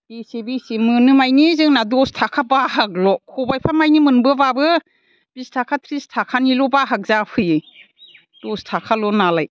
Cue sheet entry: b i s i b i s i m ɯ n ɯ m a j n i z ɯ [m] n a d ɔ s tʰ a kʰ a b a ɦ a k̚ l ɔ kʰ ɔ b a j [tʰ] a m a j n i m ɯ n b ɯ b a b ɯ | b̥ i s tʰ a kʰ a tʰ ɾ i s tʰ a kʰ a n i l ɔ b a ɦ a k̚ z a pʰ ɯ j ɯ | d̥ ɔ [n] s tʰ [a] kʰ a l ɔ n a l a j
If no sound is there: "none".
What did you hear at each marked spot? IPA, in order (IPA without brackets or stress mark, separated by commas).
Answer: ŋ, pʰ, none, a